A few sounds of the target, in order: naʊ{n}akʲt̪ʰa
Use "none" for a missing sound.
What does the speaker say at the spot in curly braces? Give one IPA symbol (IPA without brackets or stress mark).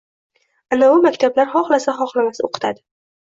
m